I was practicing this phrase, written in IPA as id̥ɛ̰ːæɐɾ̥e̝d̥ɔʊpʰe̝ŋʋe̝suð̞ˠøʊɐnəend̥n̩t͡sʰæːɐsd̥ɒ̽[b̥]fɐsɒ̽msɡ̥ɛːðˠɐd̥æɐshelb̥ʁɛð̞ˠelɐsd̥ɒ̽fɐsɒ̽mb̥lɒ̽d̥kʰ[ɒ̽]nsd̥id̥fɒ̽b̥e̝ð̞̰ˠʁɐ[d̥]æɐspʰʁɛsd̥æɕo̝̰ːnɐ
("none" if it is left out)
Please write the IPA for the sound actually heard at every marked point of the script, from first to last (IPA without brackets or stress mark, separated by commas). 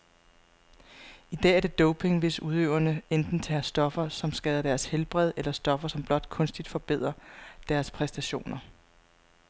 none, ɔ̽, d̥